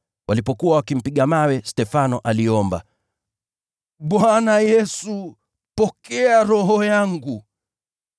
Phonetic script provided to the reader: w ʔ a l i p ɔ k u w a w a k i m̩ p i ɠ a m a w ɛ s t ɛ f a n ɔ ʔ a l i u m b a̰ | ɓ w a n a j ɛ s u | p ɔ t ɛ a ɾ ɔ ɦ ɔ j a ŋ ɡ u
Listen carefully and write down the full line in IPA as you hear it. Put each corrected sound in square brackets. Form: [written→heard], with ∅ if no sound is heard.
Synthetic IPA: w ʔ a l i p ɔ k u w a w a k i m̩ p i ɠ a m a w ɛ s t ɛ f a n ɔ ʔ a l i [u→ɔ] m b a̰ | ɓ w a n a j ɛ s u | p ɔ [t→k] ɛ a ɾ ɔ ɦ ɔ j a ŋ ɡ u